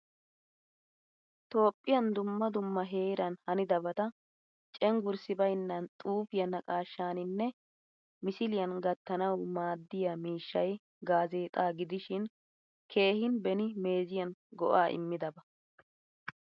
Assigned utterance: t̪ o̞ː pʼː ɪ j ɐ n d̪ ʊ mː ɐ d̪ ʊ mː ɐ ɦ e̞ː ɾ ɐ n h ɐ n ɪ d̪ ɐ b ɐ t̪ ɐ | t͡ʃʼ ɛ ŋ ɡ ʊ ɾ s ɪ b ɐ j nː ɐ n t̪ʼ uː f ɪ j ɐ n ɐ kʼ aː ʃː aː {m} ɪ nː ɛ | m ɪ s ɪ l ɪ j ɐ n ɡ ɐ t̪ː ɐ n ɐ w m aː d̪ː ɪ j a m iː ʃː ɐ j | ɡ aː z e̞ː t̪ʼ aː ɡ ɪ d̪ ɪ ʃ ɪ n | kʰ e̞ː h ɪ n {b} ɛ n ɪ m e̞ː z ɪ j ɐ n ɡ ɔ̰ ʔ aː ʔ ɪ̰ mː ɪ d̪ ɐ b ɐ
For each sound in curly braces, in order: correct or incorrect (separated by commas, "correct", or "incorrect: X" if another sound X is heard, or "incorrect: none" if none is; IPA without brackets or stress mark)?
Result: incorrect: n, correct